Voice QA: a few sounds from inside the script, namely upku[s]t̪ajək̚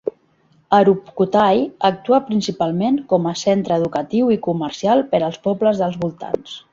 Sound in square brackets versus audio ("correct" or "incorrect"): incorrect